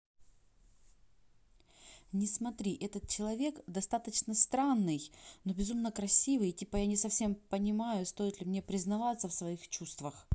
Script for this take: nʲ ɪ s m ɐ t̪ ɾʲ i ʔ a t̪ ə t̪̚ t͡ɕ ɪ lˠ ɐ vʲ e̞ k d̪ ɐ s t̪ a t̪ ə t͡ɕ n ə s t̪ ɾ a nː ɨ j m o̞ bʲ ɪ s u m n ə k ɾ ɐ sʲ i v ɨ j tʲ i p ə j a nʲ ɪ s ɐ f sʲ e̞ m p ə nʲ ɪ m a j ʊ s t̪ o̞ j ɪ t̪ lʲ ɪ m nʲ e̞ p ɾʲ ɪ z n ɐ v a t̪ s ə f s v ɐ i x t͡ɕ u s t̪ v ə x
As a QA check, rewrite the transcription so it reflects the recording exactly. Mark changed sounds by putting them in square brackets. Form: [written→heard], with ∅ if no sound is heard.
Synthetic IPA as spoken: nʲ ɪ s m ɐ t̪ ɾʲ i ʔ [a→ɛ] t̪ ə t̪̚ t͡ɕ ɪ lˠ ɐ vʲ e̞ k d̪ ɐ s t̪ a t̪ ə t͡ɕ n ə s t̪ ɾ a nː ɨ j [m→n] o̞ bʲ ɪ [s→z] u m n ə k ɾ ɐ sʲ i v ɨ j tʲ i p ə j a nʲ ɪ s ɐ f sʲ e̞ m p ə nʲ ɪ m a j ʊ s t̪ o̞ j ɪ t̪ lʲ ɪ m nʲ e̞ p ɾʲ ɪ z n ɐ v a t̪ s ə f s v ɐ i x t͡ɕ u s t̪ v ə x